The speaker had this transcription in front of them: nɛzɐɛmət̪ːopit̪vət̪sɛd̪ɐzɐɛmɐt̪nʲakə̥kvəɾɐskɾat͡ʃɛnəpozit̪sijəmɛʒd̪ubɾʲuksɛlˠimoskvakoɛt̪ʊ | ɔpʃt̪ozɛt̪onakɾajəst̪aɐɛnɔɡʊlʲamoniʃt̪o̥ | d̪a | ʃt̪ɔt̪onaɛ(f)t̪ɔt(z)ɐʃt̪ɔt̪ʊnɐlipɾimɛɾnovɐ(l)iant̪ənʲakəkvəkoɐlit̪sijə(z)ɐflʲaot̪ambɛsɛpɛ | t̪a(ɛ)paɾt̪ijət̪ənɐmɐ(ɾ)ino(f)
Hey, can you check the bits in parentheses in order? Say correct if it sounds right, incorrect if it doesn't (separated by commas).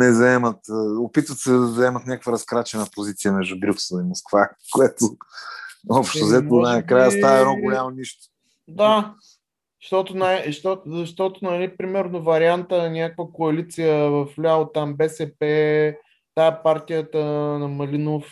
incorrect, correct, incorrect, incorrect, correct, incorrect, correct